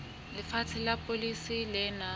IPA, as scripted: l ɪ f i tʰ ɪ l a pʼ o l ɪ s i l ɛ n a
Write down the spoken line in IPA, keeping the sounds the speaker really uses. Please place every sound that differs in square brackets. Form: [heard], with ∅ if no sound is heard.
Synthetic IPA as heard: l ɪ f [a] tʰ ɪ l a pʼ o l [i] s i l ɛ n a